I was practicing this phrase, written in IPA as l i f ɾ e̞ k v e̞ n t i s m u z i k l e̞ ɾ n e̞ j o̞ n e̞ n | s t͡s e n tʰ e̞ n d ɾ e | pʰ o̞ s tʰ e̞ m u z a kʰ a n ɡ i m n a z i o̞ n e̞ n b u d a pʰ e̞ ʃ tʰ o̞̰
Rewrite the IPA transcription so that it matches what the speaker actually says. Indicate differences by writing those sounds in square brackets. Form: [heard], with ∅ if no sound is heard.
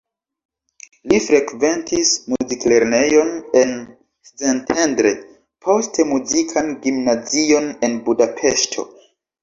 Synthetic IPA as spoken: l i f ɾ e̞ k v e̞ n t i s m u z i k l e̞ ɾ n e̞ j o̞ n e̞ n | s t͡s e n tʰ e̞ n d ɾ e | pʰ o̞ s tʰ e̞ m u z [i] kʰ a n ɡ i m n a z i o̞ n e̞ n b u d a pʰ e̞ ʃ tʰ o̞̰